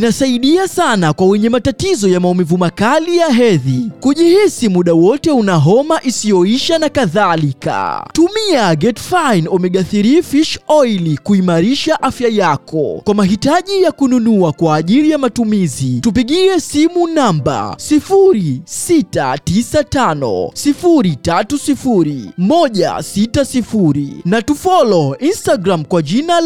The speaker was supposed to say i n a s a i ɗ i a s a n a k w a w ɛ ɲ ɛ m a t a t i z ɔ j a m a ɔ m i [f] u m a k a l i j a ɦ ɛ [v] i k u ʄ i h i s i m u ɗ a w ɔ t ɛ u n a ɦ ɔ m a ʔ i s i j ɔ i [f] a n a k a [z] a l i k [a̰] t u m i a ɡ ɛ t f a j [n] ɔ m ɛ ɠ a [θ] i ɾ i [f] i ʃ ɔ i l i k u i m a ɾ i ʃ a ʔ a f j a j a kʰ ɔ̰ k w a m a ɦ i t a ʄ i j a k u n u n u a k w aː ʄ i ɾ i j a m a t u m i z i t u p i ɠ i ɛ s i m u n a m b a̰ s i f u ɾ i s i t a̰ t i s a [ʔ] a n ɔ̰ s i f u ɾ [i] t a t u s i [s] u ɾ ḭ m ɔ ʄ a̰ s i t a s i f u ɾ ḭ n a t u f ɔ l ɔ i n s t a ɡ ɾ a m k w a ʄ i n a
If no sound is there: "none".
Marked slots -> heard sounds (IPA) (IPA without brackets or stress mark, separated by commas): v, ð, ʃ, ð, a̰, n, θ, f, t, i, f